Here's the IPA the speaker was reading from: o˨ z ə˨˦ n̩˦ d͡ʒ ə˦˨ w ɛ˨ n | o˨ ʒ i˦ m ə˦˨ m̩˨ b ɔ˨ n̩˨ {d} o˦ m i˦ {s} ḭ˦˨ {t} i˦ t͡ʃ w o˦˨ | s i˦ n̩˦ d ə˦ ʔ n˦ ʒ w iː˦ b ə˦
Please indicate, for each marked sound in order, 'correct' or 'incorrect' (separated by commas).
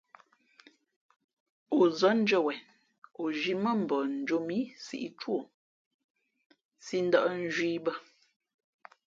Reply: incorrect, correct, incorrect